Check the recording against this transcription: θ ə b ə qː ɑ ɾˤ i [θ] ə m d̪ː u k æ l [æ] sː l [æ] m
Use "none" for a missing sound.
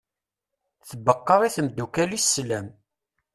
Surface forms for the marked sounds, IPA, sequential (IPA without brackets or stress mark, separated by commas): θ, i, æ